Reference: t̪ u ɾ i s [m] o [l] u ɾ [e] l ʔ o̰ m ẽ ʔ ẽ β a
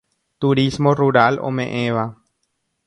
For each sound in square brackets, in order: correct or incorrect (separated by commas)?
correct, incorrect, incorrect